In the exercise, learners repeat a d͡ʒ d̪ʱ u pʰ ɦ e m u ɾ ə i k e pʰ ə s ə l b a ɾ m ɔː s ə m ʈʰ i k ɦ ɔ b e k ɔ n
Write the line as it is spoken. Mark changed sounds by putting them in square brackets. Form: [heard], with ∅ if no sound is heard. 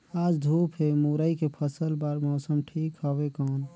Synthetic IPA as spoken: a d͡ʒ d̪ʱ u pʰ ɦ e m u ɾ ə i k e pʰ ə s ə l b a ɾ m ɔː s ə m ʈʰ i k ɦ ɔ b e k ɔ n